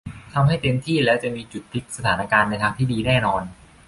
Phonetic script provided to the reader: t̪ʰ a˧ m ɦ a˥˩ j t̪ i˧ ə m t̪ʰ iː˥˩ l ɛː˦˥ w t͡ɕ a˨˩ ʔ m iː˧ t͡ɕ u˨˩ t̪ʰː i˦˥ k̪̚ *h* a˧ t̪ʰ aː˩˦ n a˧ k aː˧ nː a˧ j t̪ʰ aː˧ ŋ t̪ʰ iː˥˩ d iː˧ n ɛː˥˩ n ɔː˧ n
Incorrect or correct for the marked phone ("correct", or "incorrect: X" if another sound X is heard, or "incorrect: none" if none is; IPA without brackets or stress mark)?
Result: incorrect: s